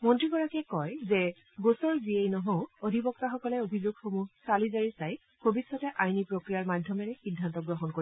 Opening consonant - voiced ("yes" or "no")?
yes